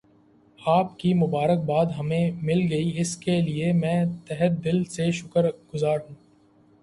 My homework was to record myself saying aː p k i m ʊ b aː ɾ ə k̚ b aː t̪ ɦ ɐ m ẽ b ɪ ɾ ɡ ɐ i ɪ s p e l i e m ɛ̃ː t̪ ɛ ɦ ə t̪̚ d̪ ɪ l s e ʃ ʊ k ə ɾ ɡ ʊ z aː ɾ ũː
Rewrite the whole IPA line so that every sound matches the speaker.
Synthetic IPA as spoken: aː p k i m ʊ b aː ɾ ə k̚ b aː d̪ ɦ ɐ m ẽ m ɪ l ɡ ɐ i ɪ s k e l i e m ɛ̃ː t̪ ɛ ɦ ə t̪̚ d̪ ɪ l s e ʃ ʊ k ə ɾ ɡ ʊ z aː ɾ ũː